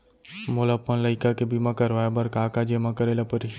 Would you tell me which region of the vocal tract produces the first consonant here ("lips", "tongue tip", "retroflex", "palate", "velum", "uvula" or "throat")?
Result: lips